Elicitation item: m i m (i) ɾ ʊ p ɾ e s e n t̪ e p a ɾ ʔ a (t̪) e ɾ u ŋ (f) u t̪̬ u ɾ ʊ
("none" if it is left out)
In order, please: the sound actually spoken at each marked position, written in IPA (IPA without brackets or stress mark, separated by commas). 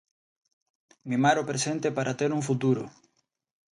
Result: a, t̪, f